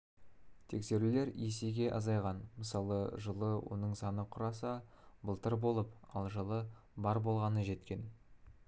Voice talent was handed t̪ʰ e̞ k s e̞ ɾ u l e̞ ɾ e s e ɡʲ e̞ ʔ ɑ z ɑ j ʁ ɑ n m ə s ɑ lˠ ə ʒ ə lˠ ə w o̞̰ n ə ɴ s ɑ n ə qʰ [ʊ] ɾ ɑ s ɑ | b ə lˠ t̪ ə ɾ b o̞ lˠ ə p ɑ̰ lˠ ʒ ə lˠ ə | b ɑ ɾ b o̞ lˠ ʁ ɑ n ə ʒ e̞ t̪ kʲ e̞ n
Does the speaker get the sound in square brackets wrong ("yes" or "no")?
no